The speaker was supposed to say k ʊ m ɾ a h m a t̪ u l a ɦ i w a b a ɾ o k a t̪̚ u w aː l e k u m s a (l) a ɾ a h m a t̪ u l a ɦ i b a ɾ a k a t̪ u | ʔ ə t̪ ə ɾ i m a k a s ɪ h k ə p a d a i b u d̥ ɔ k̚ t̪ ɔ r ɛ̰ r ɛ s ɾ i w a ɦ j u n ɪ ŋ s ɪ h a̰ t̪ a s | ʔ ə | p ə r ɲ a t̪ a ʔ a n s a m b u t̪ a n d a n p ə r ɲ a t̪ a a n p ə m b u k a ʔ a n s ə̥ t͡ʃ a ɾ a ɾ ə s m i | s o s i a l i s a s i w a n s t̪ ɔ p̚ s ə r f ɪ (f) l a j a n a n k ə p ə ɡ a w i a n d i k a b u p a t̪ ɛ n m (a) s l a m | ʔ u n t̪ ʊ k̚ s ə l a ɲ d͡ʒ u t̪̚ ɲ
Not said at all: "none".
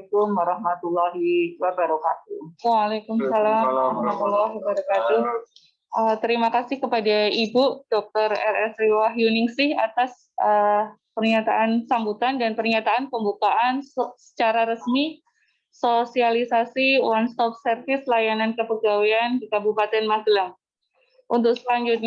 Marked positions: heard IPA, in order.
l, s, a

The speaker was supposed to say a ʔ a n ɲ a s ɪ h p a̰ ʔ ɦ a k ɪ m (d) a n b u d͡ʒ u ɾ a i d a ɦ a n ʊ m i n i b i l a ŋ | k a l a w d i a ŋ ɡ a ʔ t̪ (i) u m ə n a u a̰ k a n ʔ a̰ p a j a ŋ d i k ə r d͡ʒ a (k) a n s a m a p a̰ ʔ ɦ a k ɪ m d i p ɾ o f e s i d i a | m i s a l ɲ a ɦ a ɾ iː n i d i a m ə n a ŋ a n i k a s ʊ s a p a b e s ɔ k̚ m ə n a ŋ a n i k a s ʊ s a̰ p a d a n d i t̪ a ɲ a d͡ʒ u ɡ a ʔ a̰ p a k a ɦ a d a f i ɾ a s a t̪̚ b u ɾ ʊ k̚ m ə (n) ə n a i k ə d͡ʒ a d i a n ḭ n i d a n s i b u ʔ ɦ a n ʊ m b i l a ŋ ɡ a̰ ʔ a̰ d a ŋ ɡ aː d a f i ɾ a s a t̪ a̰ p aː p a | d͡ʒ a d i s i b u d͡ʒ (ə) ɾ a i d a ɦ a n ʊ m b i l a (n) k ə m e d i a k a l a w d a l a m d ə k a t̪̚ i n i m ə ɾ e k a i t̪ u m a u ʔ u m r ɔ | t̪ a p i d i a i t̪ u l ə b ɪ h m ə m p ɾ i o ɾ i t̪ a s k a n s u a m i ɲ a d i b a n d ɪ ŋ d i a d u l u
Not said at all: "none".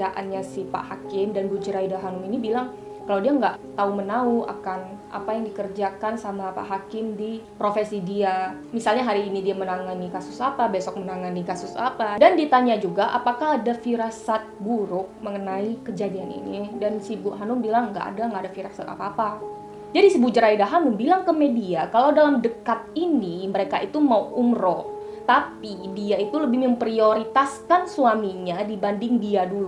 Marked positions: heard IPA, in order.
d, a, k, ŋ, ə, ŋ

